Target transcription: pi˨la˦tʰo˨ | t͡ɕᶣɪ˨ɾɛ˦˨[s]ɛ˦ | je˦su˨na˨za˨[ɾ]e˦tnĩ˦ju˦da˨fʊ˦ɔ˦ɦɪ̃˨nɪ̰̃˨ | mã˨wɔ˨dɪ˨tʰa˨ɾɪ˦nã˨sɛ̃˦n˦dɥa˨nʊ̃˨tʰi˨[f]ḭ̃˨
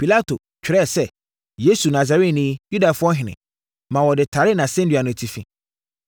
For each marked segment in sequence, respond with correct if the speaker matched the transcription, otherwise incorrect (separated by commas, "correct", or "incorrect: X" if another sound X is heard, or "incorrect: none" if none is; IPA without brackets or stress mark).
correct, correct, correct